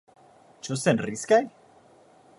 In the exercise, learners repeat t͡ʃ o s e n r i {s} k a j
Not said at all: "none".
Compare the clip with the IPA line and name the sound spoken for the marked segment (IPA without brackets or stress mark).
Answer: s